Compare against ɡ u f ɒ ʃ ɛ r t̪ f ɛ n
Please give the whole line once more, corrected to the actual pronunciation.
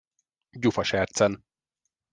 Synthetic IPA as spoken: ɟ u f ɒ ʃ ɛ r t̪ s ɛ n